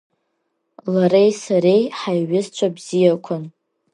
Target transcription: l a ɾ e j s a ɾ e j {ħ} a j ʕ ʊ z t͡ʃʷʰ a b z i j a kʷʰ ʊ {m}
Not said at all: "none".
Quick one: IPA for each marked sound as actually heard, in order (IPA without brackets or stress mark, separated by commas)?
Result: ħ, n